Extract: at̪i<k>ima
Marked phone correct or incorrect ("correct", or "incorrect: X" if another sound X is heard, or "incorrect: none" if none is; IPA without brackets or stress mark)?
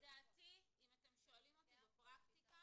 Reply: incorrect: none